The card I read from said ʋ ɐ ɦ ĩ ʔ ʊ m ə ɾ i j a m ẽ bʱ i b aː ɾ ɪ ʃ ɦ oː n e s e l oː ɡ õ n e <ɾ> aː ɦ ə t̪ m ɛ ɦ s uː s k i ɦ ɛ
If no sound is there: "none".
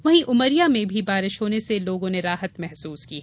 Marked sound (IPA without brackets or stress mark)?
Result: ɾ